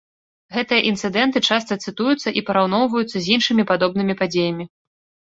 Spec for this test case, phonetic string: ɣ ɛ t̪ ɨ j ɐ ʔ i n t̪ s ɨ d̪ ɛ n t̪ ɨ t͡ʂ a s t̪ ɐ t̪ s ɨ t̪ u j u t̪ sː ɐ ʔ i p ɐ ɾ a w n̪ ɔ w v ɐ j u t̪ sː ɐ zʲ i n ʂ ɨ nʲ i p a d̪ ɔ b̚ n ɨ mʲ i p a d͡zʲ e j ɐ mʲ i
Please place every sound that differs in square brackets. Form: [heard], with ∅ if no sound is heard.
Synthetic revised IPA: ɣ ɛ t̪ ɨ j ɐ ʔ i n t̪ s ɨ d̪ ɛ n t̪ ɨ t͡ʂ a s t̪ ɐ t̪ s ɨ t̪ u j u t̪ sː ɐ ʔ i p ɐ ɾ a w n̪ ɔ w v ɐ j u t̪ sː ɐ zʲ i n ʂ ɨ [mʲ] i p a d̪ ɔ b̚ n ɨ mʲ i p a d͡zʲ e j ɐ mʲ i